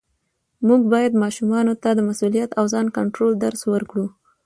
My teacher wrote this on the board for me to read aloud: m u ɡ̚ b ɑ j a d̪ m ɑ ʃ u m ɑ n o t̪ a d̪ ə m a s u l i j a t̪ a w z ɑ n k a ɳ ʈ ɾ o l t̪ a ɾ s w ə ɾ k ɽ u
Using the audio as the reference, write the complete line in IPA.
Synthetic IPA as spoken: m u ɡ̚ b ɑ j a d̪ m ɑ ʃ u m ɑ n o t̪ a d̪ ə m a s u l i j a t̪ a w z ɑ n k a ɳ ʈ ɾ o l d̪ a ɾ s w ə ɾ k ɽ u